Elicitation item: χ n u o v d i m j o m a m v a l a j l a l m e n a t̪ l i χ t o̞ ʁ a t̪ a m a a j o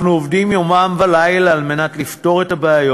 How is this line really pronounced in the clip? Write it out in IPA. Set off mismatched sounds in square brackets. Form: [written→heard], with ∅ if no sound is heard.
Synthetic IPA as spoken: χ n u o v d i m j o m a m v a l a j l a l m e n a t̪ l i [χ→f] t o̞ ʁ [a→e] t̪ a [m→b] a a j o